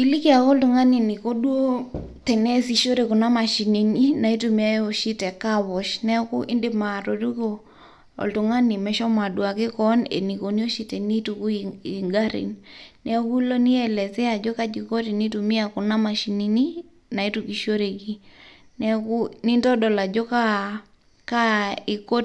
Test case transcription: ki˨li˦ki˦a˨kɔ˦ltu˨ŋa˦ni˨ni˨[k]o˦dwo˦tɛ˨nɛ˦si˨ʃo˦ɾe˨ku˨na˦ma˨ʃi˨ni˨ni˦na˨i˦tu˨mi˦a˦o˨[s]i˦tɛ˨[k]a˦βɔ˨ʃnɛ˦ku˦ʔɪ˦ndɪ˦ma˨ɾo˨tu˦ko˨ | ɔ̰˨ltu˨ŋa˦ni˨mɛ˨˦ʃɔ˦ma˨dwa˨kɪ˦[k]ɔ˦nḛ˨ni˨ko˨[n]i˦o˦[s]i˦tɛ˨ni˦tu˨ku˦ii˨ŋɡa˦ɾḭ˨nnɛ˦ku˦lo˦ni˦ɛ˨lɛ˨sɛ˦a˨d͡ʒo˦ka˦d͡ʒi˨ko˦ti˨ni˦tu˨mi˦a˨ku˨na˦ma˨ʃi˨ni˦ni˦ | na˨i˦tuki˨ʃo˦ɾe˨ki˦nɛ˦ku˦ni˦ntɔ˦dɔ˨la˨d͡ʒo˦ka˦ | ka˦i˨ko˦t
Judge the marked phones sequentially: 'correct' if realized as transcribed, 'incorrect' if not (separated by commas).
correct, incorrect, correct, correct, correct, incorrect